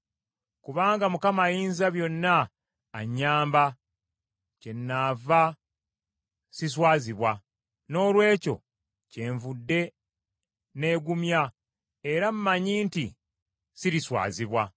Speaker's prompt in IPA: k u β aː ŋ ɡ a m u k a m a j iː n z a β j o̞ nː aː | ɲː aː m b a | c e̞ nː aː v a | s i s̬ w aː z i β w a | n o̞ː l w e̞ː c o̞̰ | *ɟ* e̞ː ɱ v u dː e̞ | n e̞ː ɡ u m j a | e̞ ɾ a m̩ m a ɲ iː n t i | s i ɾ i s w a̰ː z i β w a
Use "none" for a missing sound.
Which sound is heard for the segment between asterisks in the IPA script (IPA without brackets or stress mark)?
c